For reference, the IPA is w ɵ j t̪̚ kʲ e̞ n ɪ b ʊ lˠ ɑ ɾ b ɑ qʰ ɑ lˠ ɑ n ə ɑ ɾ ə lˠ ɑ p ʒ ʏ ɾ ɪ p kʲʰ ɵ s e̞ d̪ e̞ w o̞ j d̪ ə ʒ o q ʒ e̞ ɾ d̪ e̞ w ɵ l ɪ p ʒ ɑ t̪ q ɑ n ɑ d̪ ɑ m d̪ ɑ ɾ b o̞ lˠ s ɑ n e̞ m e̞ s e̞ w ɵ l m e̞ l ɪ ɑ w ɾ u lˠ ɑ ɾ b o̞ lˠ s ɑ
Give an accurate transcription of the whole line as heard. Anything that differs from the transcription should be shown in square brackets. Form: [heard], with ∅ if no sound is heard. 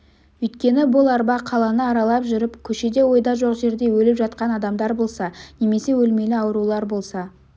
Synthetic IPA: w ɵ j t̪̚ kʲ e̞ n ɪ b ʊ lˠ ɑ ɾ b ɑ qʰ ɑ lˠ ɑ n ə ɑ ɾ [ɑ] lˠ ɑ p ʒ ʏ ɾ ɪ p kʲʰ ɵ [ʃ] e̞ d̪ e̞ w o̞ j d̪ [ɑ] ʒ o q ʒ e̞ ɾ d̪ e̞ w ɵ l ɪ p ʒ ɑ t̪ q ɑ n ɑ d̪ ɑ m d̪ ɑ ɾ b o̞ lˠ s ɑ n e̞ m e̞ s e̞ w ɵ l m e̞ l ɪ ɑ w ɾ u lˠ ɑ ɾ b o̞ lˠ s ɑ

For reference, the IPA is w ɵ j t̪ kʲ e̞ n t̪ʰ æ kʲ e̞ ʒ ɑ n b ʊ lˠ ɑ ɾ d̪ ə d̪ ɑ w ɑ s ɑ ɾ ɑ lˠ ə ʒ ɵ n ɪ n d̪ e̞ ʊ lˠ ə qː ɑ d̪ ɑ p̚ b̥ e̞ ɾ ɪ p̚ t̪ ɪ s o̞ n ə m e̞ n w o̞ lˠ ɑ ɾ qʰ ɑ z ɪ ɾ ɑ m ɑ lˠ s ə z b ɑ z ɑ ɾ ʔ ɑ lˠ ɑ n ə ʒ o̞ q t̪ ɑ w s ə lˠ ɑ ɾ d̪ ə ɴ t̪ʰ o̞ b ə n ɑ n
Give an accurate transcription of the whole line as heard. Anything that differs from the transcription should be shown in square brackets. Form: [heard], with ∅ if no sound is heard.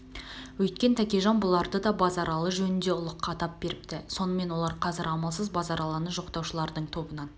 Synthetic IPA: w ɵ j t̪ kʲ e̞ n t̪ʰ æ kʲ e̞ ʒ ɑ n b ʊ lˠ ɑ ɾ d̪ ə d̪ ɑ [b] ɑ [z] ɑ ɾ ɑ lˠ ə ʒ ɵ n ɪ n d̪ e̞ ʊ lˠ ə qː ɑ [t̪] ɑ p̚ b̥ e̞ ɾ ɪ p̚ t̪ ɪ s o̞ n ə m e̞ n w o̞ lˠ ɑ ɾ qʰ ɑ z ɪ ɾ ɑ m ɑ lˠ s ə z b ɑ z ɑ ɾ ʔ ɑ lˠ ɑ n ə ʒ o̞ q t̪ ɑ w [ʃ] ə lˠ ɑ ɾ d̪ ə ɴ t̪ʰ o̞ b ə n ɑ n

